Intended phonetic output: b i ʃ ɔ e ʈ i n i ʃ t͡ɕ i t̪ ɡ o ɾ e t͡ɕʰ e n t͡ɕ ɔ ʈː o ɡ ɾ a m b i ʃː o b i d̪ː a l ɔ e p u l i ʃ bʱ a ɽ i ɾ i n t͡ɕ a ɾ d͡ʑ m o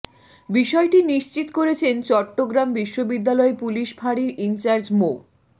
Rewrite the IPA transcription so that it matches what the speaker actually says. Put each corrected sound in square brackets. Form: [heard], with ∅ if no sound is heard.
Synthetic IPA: b i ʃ ɔ e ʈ i n i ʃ t͡ɕ i t̪ [k] o ɾ e t͡ɕʰ e n t͡ɕ ɔ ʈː o ɡ ɾ a m b i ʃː o b i d̪ː a l ɔ e p u l i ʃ bʱ a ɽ i ɾ i n t͡ɕ a ɾ d͡ʑ m o